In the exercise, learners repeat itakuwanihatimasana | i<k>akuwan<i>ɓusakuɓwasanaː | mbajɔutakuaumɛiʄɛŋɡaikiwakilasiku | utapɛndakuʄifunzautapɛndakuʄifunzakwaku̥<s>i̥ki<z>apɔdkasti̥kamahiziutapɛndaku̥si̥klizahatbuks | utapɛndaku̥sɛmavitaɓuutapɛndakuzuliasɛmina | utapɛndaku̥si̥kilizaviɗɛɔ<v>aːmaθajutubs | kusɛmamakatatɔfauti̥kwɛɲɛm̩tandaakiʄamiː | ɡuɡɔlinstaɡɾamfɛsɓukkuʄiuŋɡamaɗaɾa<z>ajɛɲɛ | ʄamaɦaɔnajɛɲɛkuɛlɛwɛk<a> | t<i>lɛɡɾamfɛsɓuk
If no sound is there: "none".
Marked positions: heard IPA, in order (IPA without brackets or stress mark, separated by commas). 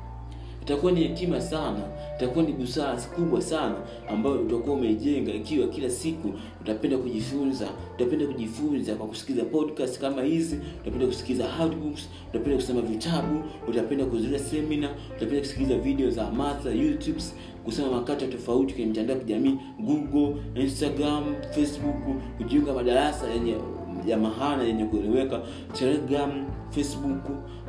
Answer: t, i, s, z, z, s, a, ɛ